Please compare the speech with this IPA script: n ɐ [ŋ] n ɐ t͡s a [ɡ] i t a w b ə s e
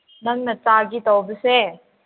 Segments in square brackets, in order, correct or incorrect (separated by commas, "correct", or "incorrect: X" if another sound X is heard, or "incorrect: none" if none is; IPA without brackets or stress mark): correct, correct